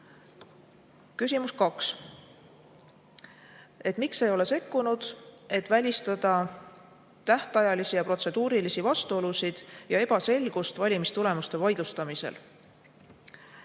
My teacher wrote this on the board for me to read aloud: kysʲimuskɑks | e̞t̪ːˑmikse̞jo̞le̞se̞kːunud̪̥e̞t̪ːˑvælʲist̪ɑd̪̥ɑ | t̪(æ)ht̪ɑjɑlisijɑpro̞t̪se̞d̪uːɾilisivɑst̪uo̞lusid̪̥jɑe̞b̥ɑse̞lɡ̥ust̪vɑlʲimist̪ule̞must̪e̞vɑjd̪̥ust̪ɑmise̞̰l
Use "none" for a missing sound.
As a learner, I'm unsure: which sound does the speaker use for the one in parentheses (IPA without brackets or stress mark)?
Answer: æ